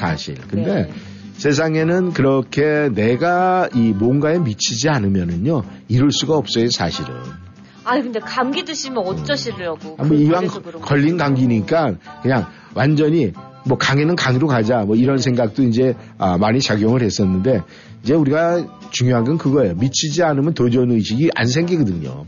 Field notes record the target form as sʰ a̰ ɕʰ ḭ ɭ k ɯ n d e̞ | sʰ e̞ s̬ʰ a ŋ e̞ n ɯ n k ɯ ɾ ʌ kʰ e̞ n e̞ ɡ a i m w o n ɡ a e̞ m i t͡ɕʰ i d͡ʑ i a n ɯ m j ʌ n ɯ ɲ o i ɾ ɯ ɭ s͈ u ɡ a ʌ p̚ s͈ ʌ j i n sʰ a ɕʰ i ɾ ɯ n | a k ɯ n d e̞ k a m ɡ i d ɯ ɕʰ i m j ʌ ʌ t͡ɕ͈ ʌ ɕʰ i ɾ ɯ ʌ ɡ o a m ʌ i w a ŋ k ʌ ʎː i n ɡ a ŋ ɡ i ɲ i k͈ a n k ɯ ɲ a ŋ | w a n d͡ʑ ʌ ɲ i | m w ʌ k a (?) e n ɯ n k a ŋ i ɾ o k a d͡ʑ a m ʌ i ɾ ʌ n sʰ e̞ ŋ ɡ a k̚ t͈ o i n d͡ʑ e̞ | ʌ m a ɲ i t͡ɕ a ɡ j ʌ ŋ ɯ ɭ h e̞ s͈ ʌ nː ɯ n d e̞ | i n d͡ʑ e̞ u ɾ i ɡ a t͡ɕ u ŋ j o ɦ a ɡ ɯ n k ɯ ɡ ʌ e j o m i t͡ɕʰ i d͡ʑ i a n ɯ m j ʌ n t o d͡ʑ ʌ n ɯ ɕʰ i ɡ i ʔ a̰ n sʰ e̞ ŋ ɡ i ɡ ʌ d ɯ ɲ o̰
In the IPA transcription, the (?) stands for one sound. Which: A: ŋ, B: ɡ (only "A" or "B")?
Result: A